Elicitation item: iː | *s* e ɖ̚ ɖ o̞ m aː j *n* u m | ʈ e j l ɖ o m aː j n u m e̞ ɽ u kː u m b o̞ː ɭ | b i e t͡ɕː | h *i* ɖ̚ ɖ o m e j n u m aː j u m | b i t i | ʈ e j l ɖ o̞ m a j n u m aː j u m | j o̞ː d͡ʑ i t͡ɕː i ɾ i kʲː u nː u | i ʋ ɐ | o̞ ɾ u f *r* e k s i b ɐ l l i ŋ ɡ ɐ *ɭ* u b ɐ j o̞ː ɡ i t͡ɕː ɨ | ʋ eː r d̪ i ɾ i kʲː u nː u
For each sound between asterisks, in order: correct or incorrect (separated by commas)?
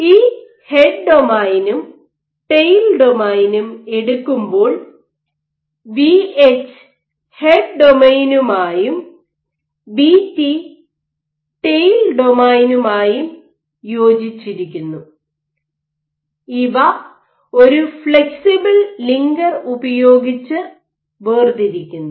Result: incorrect, correct, incorrect, incorrect, incorrect